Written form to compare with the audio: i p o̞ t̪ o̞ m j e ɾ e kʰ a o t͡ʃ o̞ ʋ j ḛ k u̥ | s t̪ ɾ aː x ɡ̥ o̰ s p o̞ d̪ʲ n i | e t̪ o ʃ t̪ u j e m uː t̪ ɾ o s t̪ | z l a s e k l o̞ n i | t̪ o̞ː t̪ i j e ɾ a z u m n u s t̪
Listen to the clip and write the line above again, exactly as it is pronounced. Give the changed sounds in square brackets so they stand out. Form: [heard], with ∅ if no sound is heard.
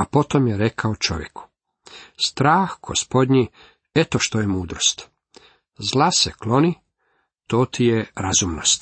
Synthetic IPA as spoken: [a] p o̞ t̪ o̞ m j e ɾ e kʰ a o t͡ʃ o̞ ʋ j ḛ k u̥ | s t̪ ɾ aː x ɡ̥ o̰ s p o̞ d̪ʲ [ɲ] i | e t̪ o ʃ t̪ [o] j e m uː [d̪] ɾ o s t̪ | z l a s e k l o̞ n i | t̪ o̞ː t̪ i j e ɾ a z u m n [o] s t̪